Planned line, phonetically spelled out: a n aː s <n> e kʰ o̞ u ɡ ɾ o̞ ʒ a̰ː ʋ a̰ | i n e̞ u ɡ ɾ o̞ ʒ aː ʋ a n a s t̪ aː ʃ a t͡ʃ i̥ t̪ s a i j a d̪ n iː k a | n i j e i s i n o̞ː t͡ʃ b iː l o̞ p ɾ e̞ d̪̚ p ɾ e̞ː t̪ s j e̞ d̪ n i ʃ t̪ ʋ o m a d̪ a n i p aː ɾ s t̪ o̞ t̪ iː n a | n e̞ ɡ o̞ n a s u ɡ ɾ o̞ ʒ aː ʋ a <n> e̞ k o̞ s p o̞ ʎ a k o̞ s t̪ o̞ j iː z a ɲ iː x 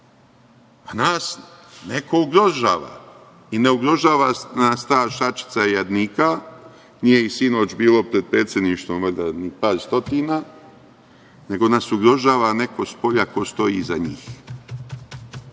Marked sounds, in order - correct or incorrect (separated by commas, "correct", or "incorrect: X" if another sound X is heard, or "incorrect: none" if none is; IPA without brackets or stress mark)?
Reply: correct, correct